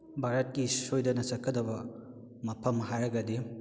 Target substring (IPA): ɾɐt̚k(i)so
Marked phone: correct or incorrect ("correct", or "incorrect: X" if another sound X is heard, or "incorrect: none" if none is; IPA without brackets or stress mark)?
correct